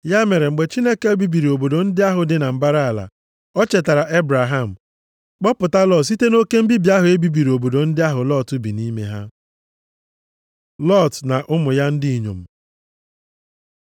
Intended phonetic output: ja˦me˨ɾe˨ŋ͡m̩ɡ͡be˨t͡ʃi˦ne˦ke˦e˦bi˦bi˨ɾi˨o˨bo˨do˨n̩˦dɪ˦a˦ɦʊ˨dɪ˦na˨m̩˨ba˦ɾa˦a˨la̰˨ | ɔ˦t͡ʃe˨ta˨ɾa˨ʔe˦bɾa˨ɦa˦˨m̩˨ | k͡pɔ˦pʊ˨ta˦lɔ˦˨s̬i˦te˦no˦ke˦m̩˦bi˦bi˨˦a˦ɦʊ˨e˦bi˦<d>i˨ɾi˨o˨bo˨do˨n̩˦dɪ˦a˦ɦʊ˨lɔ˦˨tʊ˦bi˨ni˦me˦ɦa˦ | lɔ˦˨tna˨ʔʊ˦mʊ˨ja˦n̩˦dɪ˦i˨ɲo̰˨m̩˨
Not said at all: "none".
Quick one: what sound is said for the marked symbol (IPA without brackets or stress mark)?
b